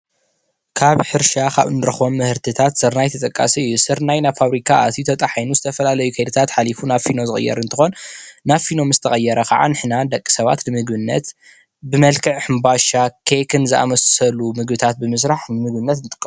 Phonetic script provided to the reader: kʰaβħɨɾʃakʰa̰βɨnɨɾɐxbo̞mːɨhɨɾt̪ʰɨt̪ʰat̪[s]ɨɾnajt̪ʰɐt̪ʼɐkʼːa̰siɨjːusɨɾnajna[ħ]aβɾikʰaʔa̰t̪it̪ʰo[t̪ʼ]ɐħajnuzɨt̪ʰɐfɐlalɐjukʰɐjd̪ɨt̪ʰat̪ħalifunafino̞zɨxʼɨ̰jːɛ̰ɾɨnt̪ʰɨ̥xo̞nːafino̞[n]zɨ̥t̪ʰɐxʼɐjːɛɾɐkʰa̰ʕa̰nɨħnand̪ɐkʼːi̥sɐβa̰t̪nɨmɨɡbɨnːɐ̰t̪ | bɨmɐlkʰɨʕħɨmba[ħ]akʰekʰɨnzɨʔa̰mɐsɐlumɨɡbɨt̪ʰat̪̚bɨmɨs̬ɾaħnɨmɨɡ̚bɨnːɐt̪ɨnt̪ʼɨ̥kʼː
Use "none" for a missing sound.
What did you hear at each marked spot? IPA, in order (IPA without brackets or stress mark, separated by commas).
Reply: s, f, t̪ʼ, m, ʃ